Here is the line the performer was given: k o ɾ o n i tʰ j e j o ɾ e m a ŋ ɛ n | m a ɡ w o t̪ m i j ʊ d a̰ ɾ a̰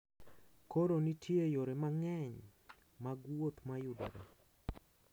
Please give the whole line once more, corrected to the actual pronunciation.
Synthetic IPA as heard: k o ɾ o n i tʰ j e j o ɾ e m a ŋ ɛ ɲ | m a ɡ w o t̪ m a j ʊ d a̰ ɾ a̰